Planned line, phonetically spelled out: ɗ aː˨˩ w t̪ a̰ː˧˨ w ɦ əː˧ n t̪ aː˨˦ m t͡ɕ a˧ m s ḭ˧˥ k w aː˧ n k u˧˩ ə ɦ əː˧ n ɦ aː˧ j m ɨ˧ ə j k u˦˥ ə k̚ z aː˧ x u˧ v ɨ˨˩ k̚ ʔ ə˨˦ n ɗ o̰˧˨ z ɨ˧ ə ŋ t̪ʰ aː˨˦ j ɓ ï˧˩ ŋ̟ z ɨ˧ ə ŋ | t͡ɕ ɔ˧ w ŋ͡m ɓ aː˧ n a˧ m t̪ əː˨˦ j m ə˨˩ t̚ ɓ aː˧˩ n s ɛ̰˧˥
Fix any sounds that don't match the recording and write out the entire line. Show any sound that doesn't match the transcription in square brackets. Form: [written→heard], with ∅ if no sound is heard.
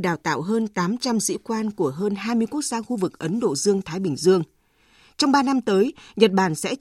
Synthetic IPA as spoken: ɗ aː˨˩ w t̪ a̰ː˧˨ w ɦ əː˧ n t̪ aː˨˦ m t͡ɕ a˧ m s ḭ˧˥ k w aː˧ n k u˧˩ ə ɦ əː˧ n ɦ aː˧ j m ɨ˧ ə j k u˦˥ ə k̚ z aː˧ x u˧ v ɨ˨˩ k̚ ʔ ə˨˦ n ɗ o̰˧˨ z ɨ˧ ə ŋ t̪ʰ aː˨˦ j ɓ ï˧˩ ŋ̟ z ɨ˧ ə ŋ | t͡ɕ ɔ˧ w ŋ͡m ɓ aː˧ n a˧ m t̪ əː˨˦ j [m→ɲ] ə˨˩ t̚ ɓ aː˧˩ n s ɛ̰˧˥